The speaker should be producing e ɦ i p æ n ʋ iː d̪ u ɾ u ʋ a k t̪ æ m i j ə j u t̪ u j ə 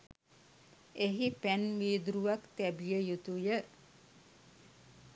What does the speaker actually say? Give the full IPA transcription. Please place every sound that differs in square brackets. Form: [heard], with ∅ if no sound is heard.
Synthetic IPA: e ɦ i p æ n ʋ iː d̪ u ɾ u ʋ a k t̪ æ [b] i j ə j u t̪ u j ə